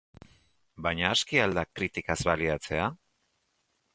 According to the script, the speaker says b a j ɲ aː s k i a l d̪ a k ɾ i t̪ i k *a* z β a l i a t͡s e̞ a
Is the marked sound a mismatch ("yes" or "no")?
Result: no